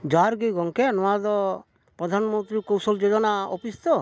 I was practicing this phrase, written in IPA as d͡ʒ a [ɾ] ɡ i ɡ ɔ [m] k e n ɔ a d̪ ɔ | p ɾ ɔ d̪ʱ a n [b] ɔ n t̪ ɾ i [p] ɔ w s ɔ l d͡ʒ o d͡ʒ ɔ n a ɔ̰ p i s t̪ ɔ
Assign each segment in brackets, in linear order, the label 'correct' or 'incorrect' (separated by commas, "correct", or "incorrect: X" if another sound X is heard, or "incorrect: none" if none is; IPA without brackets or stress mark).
correct, incorrect: ŋ, incorrect: m, incorrect: k